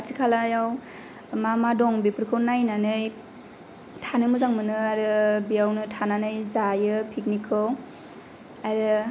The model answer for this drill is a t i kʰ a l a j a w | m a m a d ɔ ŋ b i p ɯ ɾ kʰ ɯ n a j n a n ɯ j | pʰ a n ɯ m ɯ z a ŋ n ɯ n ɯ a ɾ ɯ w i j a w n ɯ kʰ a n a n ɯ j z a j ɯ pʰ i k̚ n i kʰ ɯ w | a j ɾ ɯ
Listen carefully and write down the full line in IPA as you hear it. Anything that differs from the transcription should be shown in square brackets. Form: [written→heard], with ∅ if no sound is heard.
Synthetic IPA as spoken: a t i kʰ a l a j a w | m a m a d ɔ ŋ b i p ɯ ɾ kʰ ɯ n a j n a n ɯ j | [pʰ→tʰ] a n ɯ m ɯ z a ŋ [n→m] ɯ n ɯ a ɾ ɯ [w→b] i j a w n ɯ [kʰ→tʰ] a n a n ɯ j z a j ɯ pʰ i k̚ n i kʰ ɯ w | a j ɾ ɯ